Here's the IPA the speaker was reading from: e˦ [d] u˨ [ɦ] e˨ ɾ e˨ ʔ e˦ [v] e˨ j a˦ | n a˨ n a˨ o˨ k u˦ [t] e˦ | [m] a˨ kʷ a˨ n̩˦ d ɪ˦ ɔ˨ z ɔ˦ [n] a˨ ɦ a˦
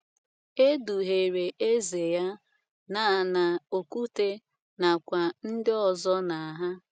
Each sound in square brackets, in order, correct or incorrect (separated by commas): correct, correct, incorrect, correct, incorrect, correct